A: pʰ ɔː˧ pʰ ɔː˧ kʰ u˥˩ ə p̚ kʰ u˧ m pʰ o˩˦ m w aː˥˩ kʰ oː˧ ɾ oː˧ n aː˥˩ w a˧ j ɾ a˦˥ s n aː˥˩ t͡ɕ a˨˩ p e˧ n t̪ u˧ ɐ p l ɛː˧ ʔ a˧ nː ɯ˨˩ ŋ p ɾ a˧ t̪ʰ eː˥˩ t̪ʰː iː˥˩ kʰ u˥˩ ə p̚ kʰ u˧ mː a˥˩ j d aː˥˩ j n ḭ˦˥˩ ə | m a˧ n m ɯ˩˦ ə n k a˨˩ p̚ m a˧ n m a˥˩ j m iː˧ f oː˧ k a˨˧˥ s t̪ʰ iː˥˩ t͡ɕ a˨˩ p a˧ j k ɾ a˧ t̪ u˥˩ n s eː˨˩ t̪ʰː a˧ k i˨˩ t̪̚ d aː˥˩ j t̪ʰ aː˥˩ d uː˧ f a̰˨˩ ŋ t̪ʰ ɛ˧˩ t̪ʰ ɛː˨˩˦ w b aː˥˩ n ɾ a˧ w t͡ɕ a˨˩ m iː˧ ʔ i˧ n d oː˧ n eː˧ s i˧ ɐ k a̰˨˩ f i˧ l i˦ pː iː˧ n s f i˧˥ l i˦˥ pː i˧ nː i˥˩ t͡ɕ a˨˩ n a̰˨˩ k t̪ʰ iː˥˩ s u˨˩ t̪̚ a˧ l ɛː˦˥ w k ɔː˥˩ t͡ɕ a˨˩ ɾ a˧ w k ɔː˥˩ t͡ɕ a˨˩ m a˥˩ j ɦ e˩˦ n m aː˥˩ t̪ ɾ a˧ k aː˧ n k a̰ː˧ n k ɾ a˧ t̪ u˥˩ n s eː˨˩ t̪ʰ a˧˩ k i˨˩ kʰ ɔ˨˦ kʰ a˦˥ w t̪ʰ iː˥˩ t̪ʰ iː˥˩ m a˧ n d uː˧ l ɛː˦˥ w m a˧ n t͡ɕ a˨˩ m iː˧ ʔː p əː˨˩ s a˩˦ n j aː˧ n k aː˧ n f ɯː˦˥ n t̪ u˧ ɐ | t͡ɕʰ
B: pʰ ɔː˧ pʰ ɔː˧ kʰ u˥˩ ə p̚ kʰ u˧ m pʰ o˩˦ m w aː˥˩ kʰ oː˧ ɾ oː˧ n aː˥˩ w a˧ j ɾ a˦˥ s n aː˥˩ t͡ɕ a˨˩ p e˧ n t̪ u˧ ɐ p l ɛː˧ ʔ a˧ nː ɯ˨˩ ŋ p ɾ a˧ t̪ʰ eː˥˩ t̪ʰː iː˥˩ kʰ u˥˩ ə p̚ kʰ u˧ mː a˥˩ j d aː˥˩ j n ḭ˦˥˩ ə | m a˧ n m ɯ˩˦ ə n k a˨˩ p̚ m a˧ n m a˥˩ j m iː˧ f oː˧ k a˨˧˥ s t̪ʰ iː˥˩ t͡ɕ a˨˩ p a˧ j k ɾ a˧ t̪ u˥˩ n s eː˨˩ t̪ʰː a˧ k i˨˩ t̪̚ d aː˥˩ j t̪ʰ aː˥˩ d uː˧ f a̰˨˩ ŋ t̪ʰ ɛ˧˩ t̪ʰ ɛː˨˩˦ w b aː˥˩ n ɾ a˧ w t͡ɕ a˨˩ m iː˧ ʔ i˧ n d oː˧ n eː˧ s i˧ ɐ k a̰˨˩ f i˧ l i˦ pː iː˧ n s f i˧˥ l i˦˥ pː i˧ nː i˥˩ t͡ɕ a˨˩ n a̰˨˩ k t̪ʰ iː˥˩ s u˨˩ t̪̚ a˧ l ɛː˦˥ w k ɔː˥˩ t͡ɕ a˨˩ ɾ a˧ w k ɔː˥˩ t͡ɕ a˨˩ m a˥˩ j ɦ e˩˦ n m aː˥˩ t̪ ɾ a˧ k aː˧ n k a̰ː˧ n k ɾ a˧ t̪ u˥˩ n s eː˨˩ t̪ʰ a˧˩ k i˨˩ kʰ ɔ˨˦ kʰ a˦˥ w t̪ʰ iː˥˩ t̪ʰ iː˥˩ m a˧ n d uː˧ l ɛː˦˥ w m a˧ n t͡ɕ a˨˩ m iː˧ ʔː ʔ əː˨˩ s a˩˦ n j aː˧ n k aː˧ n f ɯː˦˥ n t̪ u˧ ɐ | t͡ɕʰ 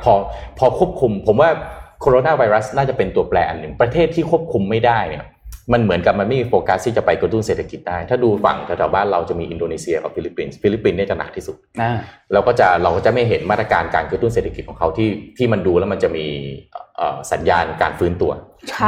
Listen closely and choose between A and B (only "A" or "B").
B